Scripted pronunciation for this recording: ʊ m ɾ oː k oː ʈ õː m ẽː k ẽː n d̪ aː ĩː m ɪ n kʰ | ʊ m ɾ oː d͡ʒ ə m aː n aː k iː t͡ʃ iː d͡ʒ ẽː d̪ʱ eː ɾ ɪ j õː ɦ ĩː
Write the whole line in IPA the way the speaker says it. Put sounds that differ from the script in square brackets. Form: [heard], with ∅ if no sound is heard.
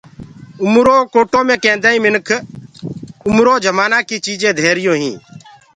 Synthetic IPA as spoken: ʊ m ɾ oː k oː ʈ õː m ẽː k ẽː n d̪ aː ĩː m ɪ n kʰ | ʊ m ɾ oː d͡ʒ ə m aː n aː k iː t͡ʃ iː d͡ʒ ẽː d̪ʱ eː ɾ ɪ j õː ɦ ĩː